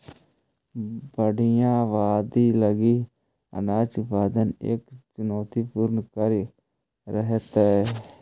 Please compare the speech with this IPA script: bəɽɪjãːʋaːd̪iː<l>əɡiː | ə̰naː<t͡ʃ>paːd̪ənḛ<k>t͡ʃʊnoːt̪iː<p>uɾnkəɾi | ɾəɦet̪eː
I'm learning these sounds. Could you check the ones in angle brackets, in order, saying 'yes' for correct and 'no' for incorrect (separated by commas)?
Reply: yes, yes, yes, yes